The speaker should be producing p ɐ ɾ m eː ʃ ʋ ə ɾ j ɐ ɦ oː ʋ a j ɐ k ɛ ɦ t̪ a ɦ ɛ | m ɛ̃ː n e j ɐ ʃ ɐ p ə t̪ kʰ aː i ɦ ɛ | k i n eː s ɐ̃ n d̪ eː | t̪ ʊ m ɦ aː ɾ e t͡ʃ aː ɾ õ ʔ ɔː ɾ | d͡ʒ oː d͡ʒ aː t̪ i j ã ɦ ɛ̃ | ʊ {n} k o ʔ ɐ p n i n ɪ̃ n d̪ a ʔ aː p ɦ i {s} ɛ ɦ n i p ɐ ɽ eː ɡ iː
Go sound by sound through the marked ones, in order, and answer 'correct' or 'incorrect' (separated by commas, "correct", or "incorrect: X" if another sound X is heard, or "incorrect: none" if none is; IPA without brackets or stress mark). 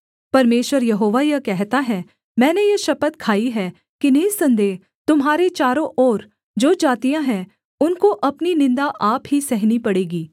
correct, correct